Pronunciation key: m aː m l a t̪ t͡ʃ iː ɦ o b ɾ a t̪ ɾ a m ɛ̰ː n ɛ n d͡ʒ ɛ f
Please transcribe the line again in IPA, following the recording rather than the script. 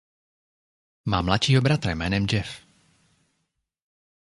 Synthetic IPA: m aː m l a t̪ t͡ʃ iː ɦ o b ɾ a t̪ ɾ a m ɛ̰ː n ɛ m d͡ʒ ɛ f